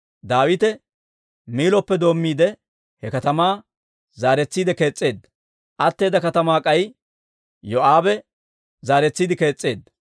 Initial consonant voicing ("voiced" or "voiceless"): voiced